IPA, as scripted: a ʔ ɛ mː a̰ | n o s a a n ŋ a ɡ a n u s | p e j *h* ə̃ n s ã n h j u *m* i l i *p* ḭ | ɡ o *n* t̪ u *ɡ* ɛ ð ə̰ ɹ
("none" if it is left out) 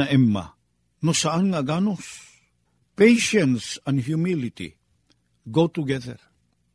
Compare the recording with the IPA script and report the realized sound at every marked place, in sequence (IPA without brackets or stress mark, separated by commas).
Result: ʃ, m, t, none, ɡ